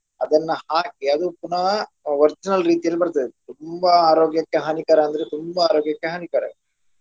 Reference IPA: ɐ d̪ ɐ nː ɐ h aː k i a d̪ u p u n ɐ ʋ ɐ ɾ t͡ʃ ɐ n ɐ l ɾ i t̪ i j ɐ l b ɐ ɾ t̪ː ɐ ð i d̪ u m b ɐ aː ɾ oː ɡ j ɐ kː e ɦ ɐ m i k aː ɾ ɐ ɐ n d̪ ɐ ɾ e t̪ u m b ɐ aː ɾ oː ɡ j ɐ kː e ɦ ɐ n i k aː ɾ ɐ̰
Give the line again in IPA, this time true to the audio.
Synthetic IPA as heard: ɐ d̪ ɐ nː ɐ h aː k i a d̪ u p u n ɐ ʋ ɐ ɾ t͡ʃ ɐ n ɐ l ɾ iː t̪ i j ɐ l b ɐ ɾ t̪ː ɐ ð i t̪ u m b ɐ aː ɾ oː ɡ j ɐ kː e ɦ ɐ n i k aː ɾ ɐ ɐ n d̪ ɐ ɾ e t̪ u m b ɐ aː ɾ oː ɡ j ɐ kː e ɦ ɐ n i k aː ɾ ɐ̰